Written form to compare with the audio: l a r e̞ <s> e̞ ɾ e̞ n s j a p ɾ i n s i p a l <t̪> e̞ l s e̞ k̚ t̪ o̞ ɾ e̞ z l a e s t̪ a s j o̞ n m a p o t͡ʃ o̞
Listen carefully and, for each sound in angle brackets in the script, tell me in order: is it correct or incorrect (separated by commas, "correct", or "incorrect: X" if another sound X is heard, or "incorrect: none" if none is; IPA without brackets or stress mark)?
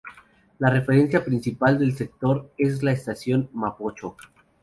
incorrect: f, incorrect: d̪